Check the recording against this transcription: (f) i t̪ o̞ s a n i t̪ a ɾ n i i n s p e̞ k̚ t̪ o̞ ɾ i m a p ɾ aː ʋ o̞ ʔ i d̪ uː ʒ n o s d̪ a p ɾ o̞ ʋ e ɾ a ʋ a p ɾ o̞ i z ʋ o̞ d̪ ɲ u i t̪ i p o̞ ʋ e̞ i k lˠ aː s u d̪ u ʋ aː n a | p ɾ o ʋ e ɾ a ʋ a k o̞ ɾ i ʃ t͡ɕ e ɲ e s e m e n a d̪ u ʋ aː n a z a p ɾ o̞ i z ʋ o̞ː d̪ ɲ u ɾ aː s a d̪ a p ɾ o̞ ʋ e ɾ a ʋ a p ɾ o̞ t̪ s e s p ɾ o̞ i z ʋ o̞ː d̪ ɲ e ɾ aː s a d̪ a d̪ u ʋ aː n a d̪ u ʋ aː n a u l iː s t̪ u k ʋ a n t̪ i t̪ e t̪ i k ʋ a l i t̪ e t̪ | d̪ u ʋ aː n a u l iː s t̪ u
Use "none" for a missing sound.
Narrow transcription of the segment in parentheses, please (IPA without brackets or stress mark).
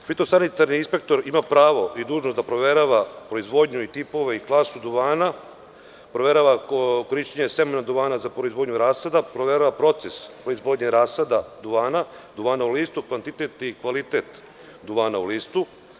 f